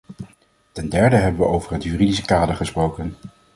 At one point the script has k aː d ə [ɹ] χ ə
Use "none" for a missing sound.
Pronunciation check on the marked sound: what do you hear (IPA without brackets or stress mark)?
ɹ